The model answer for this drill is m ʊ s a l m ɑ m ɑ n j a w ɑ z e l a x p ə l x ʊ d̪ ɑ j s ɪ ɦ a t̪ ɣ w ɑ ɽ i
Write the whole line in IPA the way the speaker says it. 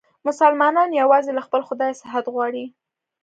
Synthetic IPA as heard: m ʊ s a l m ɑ n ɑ n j a w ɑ z e l a x p ə l x ʊ d̪ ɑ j s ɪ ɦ a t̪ ɣ w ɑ ɽ i